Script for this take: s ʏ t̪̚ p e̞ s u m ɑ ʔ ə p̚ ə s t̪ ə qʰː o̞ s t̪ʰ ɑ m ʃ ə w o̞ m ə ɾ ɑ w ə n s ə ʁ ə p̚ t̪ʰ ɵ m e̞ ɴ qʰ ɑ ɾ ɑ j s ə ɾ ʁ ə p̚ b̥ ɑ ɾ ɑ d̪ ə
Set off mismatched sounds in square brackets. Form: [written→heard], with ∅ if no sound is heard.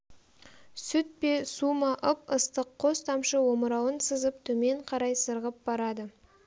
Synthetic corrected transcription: s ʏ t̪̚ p e̞ s u m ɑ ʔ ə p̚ ə s t̪ ə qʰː o̞ s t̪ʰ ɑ m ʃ ə w o̞ m ə ɾ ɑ w ə n s ə [ʁ→z] ə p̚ t̪ʰ ɵ m e̞ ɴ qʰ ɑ ɾ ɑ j s ə ɾ ʁ ə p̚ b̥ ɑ ɾ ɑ d̪ ə

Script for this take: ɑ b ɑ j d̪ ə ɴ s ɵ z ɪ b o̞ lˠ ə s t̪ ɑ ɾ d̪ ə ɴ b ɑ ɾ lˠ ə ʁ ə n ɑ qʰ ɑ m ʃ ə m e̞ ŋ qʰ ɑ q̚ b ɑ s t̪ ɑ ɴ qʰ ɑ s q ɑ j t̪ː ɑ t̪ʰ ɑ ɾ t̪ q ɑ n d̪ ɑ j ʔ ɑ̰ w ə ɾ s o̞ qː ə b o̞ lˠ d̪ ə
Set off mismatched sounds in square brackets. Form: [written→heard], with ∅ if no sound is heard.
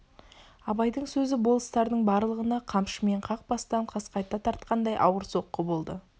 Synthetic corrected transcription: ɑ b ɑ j d̪ ə ɴ s ɵ z ɪ b o̞ lˠ ə s t̪ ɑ ɾ d̪ ə ɴ b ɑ ɾ lˠ ə ʁ ə n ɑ qʰ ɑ m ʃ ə m e̞ [ŋ→ɴ] qʰ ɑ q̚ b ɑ s t̪ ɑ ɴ qʰ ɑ s q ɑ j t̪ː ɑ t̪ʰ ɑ ɾ t̪ q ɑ n d̪ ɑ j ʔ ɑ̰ w ə ɾ s o̞ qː ə b o̞ lˠ d̪ ə

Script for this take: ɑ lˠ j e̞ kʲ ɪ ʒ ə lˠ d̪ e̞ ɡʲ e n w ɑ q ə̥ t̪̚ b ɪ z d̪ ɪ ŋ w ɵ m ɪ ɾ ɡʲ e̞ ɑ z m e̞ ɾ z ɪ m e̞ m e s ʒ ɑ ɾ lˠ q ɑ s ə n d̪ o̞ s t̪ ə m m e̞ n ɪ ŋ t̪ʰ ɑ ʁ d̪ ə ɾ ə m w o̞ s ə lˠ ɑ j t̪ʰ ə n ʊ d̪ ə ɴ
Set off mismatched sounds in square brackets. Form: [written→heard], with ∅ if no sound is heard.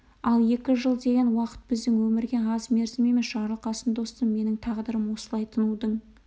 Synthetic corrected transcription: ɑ lˠ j e̞ kʲ ɪ ʒ ə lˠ d̪ e̞ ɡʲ e n w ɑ q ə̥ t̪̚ b ɪ z d̪ ɪ ŋ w ɵ m ɪ ɾ ɡʲ e̞ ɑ z m e̞ ɾ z ɪ m e̞ m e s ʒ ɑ ɾ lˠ q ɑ s ə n d̪ o̞ s t̪ ə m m e̞ n ɪ ŋ t̪ʰ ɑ ʁ d̪ ə ɾ ə m w o̞ s ə lˠ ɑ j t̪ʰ ə n [ʊ→u] d̪ ə ɴ

